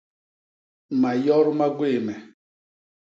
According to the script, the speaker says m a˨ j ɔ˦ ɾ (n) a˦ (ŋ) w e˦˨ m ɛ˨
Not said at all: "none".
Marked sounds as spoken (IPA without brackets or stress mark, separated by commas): m, ɡ